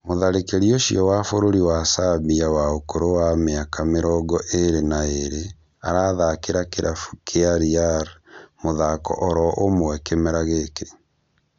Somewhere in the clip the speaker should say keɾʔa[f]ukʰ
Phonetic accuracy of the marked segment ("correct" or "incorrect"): correct